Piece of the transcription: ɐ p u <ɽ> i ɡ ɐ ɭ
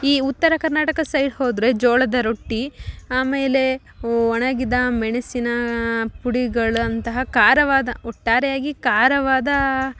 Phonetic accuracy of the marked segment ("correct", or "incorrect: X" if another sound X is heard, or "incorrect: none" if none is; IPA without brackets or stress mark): correct